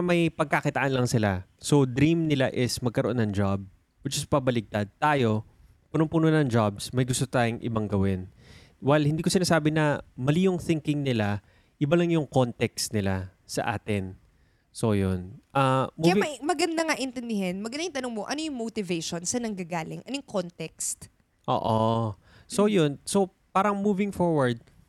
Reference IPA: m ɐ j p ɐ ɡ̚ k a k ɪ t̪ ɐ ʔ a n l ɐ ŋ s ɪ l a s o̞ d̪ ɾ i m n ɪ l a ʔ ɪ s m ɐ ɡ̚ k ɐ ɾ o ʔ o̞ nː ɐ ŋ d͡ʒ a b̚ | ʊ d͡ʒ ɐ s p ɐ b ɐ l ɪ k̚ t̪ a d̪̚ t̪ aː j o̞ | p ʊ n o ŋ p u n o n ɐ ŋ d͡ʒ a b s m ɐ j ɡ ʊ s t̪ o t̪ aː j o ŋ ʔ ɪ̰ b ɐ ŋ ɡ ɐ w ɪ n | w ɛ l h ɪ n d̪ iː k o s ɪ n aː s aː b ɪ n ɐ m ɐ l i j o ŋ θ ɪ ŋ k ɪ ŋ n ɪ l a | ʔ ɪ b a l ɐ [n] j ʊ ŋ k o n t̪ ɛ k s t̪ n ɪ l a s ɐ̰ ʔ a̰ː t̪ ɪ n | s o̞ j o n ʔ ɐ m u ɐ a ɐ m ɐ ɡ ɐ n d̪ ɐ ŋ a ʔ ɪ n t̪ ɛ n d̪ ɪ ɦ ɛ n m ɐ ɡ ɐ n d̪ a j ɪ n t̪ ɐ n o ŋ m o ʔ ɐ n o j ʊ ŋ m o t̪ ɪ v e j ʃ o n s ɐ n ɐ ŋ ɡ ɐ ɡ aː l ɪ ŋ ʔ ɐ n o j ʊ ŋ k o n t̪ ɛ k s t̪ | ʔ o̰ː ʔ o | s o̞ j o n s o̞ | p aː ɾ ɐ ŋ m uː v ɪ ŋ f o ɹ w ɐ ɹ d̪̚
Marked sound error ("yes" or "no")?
yes